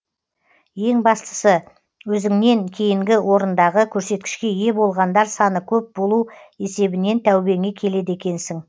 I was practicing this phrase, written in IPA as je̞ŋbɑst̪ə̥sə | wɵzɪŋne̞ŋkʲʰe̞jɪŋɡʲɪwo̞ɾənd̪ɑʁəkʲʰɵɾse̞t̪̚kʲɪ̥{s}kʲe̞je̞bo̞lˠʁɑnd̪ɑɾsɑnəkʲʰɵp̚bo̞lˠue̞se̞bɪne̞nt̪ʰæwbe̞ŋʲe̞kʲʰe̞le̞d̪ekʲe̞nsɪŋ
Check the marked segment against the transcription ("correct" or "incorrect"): incorrect